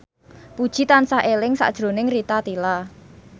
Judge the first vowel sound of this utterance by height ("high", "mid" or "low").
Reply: high